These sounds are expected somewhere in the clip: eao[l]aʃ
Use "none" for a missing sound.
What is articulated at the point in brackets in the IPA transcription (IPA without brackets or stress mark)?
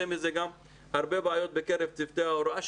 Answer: ɾ